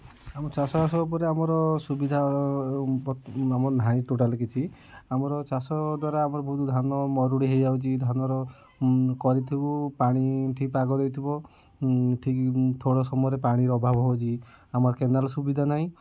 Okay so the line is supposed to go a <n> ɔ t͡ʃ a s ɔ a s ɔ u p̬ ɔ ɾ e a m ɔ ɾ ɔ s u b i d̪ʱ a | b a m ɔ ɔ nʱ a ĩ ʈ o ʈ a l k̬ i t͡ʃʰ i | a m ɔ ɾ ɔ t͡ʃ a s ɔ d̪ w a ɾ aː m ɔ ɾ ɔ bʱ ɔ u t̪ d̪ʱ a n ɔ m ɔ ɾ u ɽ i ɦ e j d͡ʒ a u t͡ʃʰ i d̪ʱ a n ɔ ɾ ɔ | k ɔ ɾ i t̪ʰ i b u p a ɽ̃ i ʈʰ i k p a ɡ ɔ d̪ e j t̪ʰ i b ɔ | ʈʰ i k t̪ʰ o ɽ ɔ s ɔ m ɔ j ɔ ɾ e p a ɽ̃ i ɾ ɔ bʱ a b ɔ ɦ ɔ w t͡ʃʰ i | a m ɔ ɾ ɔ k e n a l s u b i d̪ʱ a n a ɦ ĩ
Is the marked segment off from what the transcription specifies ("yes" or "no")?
yes